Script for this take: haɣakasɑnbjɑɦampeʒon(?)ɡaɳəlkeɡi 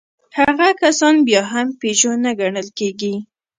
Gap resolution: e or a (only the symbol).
a